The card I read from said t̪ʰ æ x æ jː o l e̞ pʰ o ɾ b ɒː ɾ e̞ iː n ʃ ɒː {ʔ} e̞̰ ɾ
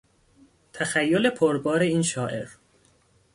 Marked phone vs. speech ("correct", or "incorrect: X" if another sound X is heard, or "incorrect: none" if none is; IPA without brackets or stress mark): correct